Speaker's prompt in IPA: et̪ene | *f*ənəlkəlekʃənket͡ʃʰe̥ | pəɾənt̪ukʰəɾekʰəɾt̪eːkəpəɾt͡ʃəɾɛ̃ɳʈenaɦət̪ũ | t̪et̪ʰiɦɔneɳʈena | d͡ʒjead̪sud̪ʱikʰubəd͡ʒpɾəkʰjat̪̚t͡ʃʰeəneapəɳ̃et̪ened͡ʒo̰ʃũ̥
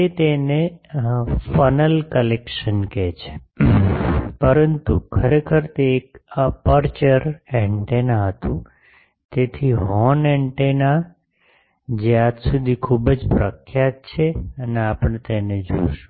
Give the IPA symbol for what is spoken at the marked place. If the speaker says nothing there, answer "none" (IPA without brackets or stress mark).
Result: f